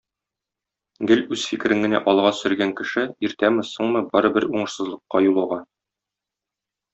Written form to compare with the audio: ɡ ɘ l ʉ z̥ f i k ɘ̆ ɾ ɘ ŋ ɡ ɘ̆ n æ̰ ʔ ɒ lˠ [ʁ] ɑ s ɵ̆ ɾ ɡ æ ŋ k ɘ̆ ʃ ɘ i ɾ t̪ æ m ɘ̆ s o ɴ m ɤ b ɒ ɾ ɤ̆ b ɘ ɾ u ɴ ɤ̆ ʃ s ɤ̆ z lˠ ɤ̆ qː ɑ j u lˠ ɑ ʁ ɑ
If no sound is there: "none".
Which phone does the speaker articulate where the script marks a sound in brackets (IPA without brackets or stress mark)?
ʁ